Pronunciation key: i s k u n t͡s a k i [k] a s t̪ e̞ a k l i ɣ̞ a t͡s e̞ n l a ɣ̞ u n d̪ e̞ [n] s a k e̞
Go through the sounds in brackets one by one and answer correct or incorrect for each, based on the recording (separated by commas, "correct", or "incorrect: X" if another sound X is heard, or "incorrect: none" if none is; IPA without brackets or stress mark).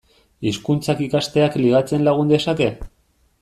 correct, incorrect: none